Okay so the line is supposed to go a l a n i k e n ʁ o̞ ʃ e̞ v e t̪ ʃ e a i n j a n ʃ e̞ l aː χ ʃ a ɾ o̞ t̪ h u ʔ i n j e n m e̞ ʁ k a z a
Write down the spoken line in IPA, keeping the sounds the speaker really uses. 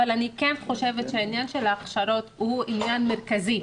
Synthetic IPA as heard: a l a n i k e n χ o̞ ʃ e̞ v e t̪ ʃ e a i n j a n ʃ e̞ l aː χ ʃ a ɾ o̞ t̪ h u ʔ i n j a n m e̞ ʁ k a z i